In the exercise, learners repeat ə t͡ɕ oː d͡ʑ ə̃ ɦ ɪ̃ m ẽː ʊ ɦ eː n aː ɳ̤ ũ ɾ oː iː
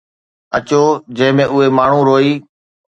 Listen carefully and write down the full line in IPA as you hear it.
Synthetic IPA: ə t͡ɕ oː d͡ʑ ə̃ ɦ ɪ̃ m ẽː ʊ ɦ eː m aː ɳ̤ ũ ɾ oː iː